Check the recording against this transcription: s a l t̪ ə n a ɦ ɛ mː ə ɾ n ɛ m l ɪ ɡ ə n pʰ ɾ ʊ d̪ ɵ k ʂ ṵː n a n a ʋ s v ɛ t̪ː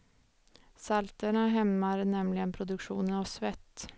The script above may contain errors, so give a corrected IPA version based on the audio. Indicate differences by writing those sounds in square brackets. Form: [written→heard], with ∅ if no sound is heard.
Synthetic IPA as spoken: s a l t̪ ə [n→ɳ] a ɦ ɛ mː [ə→a] ɾ n ɛ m l ɪ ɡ ə n pʰ ɾ ʊ d̪ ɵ k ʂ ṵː n [a→ə] n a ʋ s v ɛ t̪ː